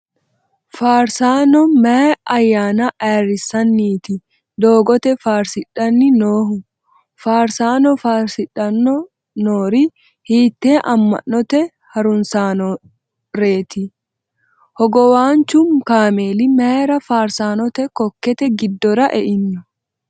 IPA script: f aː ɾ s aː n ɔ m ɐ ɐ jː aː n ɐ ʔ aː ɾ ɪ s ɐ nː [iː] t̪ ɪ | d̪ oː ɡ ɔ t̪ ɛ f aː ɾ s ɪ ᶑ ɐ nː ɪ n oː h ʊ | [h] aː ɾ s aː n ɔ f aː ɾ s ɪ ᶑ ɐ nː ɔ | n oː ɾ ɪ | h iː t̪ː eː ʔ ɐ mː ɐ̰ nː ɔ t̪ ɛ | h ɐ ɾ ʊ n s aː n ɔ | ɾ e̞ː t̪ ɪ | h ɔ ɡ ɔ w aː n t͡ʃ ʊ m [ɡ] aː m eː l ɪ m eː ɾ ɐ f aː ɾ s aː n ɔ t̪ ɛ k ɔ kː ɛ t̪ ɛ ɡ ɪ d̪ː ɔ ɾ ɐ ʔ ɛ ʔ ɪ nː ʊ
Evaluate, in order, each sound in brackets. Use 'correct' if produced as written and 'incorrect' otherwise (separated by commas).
correct, incorrect, incorrect